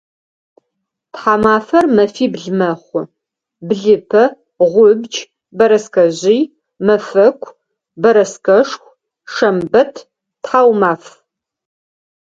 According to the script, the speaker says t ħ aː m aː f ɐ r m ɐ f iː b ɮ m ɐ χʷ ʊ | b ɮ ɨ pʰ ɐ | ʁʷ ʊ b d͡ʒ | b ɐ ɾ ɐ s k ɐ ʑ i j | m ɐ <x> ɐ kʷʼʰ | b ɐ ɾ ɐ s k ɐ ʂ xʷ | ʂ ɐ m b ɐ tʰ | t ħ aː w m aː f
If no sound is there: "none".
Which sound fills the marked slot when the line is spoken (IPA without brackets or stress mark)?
f